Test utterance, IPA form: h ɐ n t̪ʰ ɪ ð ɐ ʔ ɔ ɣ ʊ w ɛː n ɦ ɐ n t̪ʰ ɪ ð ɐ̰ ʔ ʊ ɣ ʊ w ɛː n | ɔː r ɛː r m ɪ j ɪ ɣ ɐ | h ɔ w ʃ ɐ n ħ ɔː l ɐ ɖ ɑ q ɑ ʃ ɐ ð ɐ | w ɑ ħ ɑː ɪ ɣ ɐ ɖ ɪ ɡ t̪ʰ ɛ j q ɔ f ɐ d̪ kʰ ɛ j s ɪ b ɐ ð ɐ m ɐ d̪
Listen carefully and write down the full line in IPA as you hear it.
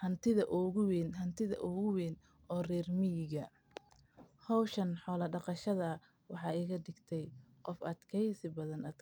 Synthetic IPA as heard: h ɐ n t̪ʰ ɪ ð ɐ ʔ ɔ ɣ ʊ w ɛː n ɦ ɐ n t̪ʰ ɪ ð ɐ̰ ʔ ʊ ɣ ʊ w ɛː n | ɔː r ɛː r m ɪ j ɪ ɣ ɐ | h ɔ w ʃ ɐ n ħ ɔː l ɐ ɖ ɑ q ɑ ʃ ɐ ð ɐ | w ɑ ħ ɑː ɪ ɣ ɐ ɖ ɪ ɡ t̪ʰ ɛ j q ɔ f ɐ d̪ kʰ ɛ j s ɪ b ɐ ð ɐ n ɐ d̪